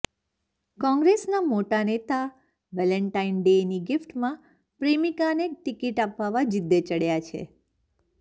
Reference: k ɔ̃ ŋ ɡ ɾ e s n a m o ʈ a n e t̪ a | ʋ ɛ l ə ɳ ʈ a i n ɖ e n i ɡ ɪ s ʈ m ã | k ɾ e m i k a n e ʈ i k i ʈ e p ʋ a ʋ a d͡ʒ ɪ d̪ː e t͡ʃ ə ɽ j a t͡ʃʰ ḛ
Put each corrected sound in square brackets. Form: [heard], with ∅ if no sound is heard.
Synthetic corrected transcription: k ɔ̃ ŋ ɡ ɾ e s n a m o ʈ a n e t̪ a | ʋ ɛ l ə ɳ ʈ a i n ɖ e n i ɡ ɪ [f] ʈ m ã | [p] ɾ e m i k a n e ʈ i k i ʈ [a] p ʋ a ʋ a d͡ʒ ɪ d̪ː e t͡ʃ ə ɽ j a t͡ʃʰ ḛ